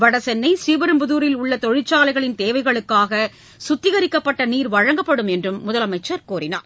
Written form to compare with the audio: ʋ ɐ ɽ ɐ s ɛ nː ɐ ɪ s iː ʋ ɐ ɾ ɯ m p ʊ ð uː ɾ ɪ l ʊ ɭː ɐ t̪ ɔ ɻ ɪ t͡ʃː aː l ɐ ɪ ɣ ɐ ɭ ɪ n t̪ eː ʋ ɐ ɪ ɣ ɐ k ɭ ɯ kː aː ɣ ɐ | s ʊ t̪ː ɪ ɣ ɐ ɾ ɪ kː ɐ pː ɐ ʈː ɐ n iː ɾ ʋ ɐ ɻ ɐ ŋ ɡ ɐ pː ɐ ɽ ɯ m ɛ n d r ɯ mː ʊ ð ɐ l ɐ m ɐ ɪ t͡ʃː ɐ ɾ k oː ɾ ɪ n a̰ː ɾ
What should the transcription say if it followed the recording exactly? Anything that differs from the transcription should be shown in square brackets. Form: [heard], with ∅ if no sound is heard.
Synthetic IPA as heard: ʋ ɐ ɽ ɐ s ɛ nː ɐ ɪ s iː ʋ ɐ ɾ ɯ m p ʊ ð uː ɾ ɪ l ʊ ɭː ɐ t̪ ɔ ɻ ɪ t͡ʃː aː l ɐ ɪ ɣ ɐ ɭ ɪ n t̪ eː ʋ ɐ ɪ ɣ ɐ [∅] ɭ ɯ kː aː ɣ ɐ | s ʊ t̪ː ɪ ɣ ɐ ɾ ɪ kː ɐ pː ɐ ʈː ɐ n iː ɾ ʋ ɐ ɻ ɐ ŋ ɡ ɐ pː ɐ ɽ ɯ m ɛ n d r ɯ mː ʊ ð ɐ l ɐ m ɐ ɪ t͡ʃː ɐ ɾ k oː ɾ ɪ n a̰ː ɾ

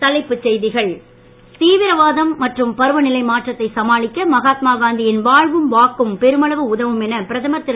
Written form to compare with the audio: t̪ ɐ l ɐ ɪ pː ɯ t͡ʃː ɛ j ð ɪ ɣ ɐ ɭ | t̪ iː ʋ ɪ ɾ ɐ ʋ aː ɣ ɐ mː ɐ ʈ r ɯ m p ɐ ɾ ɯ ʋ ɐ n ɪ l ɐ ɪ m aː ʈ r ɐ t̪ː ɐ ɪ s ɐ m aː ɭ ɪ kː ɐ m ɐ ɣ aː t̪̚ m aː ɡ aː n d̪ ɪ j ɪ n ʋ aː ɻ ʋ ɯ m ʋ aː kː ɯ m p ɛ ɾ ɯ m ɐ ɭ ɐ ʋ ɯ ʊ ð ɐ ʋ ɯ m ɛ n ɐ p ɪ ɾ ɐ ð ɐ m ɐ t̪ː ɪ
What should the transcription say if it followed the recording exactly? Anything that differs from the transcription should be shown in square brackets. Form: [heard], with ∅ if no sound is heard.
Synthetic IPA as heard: t̪ ɐ l ɐ ɪ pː ɯ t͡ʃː ɛ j ð ɪ ɣ ɐ ɭ | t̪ iː ʋ ɪ ɾ ɐ ʋ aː [ð] ɐ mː ɐ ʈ r ɯ m p ɐ ɾ ɯ ʋ ɐ n ɪ l ɐ ɪ m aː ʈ r ɐ t̪ː ɐ ɪ s ɐ m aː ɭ ɪ kː ɐ m ɐ ɣ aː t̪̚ m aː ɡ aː n d̪ ɪ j ɪ n ʋ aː ɻ ʋ ɯ m ʋ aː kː ɯ m p ɛ ɾ ɯ m ɐ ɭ ɐ ʋ ɯ ʊ ð ɐ ʋ ɯ m ɛ n ɐ p ɪ ɾ ɐ ð ɐ m ɐ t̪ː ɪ

